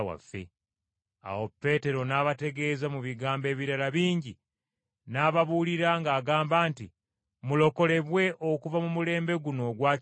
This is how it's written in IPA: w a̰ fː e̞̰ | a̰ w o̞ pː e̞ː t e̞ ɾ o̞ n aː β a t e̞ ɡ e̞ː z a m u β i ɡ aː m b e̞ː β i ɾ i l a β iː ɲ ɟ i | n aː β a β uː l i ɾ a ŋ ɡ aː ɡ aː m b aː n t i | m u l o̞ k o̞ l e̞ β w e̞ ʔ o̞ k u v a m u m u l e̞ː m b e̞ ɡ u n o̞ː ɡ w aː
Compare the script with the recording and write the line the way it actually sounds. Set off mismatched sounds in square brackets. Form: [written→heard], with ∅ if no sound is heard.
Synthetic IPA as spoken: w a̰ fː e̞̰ | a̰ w o̞ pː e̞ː t e̞ ɾ o̞ n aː β a t e̞ ɡ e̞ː z a m u β i ɡ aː m b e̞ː β i ɾ [i→a] l a β iː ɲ ɟ i | n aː β a β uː l i ɾ a ŋ ɡ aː ɡ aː m b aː n t i | m u l o̞ k o̞ l e̞ β w e̞ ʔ o̞ k u v a m u m u l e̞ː m b e̞ ɡ u n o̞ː ɡ w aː